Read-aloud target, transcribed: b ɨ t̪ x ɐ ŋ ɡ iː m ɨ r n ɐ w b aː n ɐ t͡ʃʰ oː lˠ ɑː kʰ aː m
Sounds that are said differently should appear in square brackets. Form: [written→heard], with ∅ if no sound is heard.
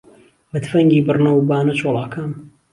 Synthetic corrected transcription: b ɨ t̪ [x→f] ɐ ŋ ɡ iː [m→b] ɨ r n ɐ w b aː n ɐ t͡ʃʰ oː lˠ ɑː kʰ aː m